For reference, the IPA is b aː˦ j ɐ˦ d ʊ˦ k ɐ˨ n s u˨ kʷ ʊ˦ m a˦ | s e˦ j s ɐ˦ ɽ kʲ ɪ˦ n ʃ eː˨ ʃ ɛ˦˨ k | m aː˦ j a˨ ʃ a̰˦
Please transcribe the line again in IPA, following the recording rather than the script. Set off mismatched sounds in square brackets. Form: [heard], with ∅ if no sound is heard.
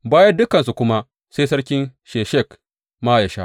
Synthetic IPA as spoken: b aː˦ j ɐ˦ d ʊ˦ k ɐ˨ n s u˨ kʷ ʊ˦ m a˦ | s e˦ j s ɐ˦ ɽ kʲ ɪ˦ n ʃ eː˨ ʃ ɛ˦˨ k | m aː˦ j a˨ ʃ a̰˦

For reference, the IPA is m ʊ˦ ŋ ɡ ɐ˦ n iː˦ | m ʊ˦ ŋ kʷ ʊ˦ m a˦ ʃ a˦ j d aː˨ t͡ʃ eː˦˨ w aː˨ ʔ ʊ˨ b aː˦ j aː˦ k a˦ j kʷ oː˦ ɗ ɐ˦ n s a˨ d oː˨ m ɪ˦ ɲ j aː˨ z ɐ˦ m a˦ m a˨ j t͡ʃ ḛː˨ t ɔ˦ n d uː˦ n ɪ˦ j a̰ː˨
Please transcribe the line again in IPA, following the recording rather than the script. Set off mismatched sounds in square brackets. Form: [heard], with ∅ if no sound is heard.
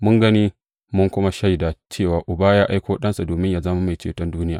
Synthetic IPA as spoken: m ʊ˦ ŋ ɡ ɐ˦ n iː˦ | m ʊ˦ ŋ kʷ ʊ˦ m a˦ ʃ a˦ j d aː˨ t͡ʃ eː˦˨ w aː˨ ʔ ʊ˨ b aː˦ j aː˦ [ʔ] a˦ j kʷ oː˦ ɗ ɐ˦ n s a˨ d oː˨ m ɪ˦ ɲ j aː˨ z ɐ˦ m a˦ m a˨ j t͡ʃ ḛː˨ t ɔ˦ n d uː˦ n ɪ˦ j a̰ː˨

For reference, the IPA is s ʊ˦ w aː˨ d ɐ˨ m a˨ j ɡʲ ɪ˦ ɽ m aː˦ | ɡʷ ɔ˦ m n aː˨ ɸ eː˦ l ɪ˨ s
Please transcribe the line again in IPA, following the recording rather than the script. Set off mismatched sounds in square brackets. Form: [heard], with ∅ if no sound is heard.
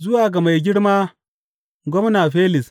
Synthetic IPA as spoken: [z] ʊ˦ w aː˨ [ɡ] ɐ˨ m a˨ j ɡʲ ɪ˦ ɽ m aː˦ | ɡʷ ɔ˦ m n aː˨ ɸ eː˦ l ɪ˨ s

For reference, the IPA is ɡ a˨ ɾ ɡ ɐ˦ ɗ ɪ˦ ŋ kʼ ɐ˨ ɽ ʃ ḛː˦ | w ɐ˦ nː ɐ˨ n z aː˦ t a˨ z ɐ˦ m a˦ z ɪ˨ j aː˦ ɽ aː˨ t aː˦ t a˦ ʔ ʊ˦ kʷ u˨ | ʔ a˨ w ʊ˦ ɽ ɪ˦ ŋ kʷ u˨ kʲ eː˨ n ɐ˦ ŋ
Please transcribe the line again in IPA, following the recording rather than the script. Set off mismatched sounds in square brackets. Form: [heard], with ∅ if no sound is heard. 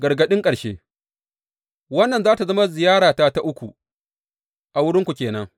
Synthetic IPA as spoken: ɡ [ɐ˨] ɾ ɡ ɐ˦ ɗ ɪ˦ ŋ kʼ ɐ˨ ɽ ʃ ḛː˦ | w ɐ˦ nː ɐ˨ n z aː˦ t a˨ z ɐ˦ m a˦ z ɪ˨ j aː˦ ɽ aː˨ t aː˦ t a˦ ʔ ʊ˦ kʷ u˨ | ʔ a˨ w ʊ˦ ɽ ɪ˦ ŋ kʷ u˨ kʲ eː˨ n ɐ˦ ŋ

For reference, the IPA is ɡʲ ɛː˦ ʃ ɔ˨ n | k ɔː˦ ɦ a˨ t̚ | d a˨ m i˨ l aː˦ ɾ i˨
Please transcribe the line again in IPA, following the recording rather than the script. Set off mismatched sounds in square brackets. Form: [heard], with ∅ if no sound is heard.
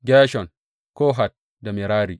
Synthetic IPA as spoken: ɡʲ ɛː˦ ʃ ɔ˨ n | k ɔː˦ ɦ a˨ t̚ | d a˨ m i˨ [ɾ] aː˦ ɾ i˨

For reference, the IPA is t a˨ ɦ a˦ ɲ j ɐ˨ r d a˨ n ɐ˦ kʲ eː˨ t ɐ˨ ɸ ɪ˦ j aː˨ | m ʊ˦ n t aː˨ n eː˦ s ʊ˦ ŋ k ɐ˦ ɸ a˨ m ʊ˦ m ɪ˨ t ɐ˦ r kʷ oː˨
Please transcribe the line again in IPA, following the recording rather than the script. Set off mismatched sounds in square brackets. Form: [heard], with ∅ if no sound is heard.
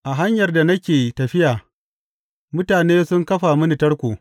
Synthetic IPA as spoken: [ʔ] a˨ ɦ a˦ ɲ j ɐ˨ r d a˨ n ɐ˦ kʲ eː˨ t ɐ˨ ɸ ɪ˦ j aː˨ | m ʊ˦ [∅] t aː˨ n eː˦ s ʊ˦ ŋ k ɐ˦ ɸ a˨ m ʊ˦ [n] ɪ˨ t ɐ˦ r kʷ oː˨

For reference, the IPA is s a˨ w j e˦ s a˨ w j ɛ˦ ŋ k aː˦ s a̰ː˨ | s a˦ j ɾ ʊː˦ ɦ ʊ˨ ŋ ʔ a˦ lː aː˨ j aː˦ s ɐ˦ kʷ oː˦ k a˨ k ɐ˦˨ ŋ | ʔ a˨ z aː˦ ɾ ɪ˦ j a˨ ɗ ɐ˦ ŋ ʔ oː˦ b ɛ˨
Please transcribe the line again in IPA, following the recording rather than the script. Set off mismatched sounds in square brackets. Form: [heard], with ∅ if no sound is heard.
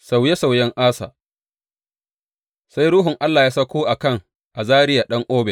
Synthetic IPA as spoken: s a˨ w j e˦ s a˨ w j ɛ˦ ŋ [ʔ] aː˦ s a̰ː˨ | s a˦ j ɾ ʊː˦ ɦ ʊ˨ ŋ ʔ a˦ lː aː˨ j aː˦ s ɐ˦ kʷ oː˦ [ʔ] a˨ k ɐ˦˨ ŋ | ʔ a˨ z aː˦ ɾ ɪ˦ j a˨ ɗ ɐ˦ ŋ ʔ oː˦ b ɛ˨

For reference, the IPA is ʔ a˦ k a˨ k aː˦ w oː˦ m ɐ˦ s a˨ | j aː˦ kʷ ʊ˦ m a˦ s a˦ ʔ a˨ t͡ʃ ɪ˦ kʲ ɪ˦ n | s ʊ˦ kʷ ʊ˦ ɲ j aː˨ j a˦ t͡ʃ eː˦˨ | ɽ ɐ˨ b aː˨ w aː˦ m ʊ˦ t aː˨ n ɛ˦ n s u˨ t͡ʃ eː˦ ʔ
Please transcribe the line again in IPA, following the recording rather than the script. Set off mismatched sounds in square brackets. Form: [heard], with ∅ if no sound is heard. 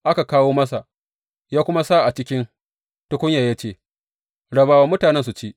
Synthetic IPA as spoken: ʔ a˦ k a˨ k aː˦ w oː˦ m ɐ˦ s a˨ | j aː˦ kʷ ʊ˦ m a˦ s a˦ ʔ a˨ t͡ʃ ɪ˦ kʲ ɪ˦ n | [t] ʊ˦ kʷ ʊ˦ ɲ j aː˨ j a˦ t͡ʃ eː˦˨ | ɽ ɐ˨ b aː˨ w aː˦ m ʊ˦ t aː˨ n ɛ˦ n s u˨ t͡ʃ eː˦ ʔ

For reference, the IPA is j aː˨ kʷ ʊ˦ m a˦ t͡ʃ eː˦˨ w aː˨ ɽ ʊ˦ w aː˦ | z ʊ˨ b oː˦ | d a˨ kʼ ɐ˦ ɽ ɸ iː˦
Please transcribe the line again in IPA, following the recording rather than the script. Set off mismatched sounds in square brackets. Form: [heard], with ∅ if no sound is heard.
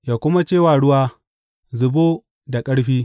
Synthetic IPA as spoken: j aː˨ kʷ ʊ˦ m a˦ t͡ʃ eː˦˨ w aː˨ ɽ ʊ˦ w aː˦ | z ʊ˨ b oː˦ | d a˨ kʼ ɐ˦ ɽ ɸ iː˦

